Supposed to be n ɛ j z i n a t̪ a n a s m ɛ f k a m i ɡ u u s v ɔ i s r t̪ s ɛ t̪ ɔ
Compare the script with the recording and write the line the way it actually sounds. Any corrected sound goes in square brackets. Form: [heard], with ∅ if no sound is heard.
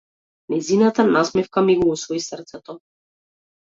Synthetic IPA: n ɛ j z i n a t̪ a n a s m ɛ f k a m i ɡ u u s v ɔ i s r t̪ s ɛ t̪ ɔ